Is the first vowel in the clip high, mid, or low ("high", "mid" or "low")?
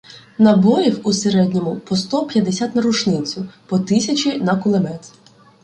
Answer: low